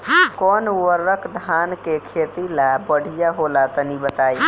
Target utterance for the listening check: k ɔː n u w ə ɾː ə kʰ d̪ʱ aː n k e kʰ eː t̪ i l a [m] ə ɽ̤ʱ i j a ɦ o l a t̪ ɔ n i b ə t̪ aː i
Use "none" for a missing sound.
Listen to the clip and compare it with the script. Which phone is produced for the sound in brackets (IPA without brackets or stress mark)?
b